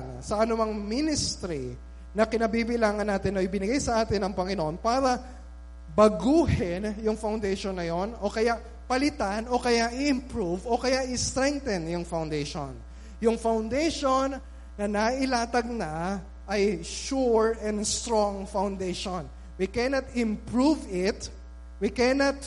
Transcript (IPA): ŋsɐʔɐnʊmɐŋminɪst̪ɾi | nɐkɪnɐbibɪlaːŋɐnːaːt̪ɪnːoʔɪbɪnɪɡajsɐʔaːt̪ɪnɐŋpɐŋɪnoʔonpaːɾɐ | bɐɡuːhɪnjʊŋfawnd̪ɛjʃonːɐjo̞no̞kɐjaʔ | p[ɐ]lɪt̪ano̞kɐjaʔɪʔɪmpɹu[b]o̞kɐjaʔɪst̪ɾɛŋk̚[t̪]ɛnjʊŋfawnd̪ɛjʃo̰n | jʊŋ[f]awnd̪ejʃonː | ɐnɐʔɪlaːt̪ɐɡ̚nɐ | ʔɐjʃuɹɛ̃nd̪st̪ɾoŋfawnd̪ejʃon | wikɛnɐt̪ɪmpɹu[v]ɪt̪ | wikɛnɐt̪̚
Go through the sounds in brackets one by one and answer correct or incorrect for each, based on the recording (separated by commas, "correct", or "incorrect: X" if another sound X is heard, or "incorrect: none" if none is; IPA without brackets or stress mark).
correct, incorrect: v, correct, correct, correct